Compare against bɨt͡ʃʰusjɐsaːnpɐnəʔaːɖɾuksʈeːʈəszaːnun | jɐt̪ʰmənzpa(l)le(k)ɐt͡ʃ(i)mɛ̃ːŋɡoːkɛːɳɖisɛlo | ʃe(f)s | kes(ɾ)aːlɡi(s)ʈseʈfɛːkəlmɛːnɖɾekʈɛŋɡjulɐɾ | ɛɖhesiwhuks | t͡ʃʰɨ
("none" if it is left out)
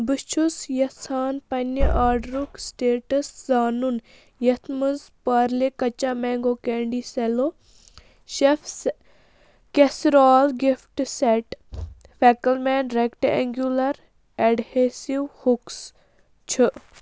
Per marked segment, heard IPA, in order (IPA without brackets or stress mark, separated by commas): ɾ, k, a, f, ɾ, f